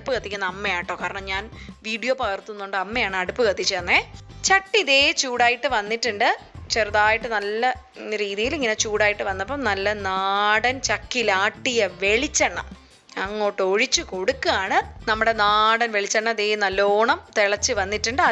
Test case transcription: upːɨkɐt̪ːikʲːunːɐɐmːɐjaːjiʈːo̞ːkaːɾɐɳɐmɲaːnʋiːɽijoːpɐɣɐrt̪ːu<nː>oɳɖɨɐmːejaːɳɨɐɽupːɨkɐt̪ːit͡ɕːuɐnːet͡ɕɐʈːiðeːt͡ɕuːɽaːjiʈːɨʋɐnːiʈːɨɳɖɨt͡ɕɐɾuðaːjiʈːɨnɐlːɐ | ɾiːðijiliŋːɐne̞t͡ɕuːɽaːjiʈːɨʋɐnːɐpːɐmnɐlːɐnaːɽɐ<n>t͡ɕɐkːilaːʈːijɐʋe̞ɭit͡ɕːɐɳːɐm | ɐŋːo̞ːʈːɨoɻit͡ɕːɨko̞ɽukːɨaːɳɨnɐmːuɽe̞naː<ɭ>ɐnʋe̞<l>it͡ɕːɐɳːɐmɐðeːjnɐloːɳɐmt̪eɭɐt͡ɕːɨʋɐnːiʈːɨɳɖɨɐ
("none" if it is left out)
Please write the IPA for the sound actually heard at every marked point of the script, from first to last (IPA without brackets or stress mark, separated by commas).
nː, n, ɽ, ɭ